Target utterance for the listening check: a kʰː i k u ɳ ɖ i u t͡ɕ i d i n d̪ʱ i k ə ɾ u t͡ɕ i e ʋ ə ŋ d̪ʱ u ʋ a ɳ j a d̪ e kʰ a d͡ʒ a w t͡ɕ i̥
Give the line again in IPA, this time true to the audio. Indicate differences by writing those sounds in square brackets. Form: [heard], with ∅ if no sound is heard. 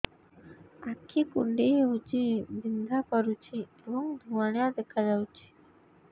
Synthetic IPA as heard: a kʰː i k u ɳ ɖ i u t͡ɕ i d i n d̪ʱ [a] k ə ɾ u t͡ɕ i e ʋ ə ŋ d̪ʱ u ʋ a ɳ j a d̪ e kʰ a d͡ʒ a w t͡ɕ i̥